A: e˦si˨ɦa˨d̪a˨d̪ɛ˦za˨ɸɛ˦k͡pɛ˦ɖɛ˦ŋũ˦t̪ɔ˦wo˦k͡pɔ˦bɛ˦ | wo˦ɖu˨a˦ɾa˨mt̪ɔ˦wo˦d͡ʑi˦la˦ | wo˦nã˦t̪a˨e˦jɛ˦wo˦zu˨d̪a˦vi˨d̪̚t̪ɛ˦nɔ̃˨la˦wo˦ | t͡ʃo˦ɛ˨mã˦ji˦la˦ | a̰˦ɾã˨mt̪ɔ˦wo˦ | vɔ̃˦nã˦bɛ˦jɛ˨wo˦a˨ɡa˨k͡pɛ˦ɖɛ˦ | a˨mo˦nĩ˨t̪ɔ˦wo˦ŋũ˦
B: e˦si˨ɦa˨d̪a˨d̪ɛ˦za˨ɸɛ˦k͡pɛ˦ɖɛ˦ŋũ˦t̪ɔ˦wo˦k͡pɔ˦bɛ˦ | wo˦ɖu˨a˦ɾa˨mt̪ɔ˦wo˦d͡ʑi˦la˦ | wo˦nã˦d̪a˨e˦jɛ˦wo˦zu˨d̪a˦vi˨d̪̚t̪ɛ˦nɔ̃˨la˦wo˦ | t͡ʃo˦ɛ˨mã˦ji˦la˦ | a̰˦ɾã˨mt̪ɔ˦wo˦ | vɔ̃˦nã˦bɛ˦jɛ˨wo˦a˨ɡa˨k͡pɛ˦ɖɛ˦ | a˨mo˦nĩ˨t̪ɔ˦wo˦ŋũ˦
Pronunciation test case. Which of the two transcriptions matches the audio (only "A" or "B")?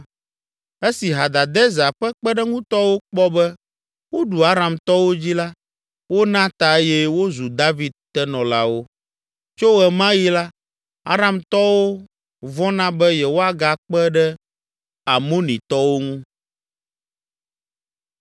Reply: A